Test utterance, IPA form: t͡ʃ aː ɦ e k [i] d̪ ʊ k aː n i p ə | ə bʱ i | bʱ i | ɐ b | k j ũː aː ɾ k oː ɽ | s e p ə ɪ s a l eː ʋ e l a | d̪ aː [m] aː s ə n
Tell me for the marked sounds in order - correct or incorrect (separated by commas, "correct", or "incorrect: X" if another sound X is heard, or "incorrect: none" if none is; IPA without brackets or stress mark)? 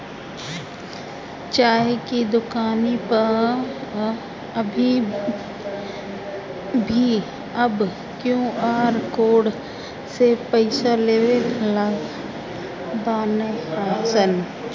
correct, incorrect: n